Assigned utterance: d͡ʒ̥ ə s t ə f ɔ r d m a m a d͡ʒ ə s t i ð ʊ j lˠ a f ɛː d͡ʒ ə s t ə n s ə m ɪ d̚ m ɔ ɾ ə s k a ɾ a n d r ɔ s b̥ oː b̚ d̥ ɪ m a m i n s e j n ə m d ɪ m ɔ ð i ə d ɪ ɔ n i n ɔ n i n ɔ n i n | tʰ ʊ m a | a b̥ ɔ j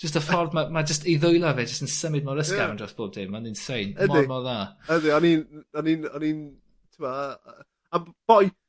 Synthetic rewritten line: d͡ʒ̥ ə s t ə f ɔ r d m a m a d͡ʒ ə s t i ð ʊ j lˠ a v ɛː d͡ʒ ə s t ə n s ə m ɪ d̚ m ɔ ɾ ə s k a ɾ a n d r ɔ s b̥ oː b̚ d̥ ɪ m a n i n s e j n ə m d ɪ m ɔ ð a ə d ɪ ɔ n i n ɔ n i n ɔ n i n | tʰ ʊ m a | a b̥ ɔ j